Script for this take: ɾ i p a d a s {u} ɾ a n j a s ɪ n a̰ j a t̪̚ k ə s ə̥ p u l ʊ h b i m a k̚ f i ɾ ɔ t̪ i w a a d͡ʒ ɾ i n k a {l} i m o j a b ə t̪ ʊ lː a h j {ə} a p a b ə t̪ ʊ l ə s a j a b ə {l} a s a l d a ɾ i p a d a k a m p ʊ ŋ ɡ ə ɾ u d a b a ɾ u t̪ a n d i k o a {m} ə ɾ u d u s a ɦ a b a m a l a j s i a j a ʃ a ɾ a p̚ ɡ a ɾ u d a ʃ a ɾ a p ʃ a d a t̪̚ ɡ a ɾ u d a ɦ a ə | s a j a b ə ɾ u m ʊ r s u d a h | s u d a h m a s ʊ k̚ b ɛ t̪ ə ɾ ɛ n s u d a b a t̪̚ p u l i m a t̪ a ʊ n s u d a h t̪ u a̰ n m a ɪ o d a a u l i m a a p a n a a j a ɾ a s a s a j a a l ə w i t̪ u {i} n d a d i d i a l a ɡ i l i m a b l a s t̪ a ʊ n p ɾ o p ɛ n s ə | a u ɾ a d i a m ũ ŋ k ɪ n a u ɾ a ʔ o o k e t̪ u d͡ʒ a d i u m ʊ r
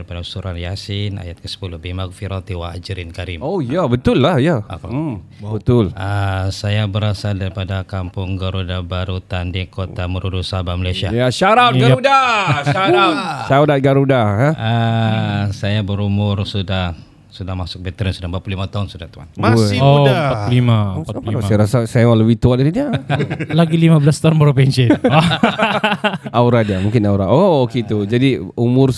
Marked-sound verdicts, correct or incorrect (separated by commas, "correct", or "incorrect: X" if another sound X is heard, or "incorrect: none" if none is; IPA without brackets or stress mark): correct, incorrect: ɾ, incorrect: a, incorrect: ɾ, correct, incorrect: a